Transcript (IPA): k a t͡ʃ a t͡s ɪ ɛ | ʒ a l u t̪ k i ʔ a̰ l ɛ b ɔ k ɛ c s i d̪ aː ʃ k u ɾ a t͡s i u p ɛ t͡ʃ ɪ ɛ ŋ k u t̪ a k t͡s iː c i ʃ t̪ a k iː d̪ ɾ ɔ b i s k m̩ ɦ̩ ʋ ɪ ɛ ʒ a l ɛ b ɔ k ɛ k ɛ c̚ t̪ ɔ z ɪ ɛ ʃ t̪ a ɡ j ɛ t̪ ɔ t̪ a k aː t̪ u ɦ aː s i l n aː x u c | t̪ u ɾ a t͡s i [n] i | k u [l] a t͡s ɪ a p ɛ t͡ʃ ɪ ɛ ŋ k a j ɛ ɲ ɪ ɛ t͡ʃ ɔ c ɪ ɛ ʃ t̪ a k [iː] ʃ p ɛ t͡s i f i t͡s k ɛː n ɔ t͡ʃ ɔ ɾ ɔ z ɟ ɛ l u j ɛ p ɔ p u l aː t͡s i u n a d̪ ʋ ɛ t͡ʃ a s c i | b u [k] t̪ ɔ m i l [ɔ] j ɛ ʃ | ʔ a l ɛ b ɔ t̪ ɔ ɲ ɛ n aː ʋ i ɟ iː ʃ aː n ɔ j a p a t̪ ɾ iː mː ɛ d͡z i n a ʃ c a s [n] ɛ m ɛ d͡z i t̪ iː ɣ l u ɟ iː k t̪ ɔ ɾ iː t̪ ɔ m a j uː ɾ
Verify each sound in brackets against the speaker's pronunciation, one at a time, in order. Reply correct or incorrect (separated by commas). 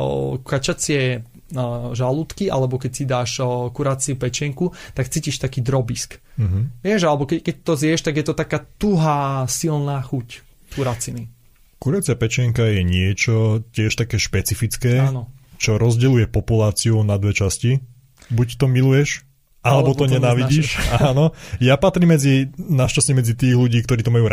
correct, incorrect, incorrect, incorrect, incorrect, incorrect